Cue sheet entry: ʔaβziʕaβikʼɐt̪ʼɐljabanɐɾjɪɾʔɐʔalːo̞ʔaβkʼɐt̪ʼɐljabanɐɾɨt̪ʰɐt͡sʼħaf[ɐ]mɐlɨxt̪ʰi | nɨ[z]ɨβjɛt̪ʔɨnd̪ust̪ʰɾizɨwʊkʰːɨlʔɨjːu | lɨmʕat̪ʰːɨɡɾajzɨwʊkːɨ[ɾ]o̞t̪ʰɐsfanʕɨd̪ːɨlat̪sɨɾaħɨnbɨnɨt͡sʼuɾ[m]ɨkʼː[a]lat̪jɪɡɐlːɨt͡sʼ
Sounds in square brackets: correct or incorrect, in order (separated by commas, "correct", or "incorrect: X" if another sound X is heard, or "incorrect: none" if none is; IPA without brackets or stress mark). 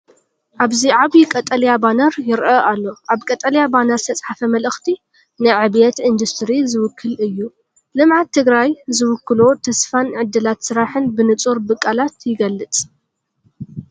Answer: correct, incorrect: ʕ, incorrect: l, incorrect: b, correct